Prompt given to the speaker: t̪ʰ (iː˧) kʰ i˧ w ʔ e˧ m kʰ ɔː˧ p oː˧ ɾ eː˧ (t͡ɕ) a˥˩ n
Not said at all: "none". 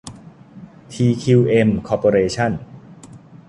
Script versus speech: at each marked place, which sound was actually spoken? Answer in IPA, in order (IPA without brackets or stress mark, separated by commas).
iː˧, t͡ɕʰ